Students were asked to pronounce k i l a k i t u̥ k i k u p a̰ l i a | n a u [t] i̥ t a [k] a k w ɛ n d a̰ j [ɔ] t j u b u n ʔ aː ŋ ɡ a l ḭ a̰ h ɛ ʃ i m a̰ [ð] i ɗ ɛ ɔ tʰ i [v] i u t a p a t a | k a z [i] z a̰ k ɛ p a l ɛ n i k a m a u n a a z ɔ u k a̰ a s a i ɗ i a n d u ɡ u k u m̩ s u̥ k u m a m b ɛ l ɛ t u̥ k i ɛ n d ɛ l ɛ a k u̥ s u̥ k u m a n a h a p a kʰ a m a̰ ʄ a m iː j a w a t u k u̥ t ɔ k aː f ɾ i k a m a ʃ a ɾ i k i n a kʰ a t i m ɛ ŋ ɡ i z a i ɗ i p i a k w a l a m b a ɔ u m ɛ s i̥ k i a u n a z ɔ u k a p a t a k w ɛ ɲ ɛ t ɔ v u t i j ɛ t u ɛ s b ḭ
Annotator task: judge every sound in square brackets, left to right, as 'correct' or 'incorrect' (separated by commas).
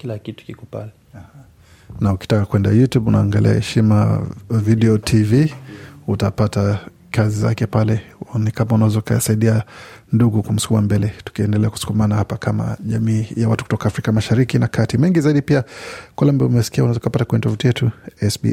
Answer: incorrect, correct, incorrect, incorrect, correct, correct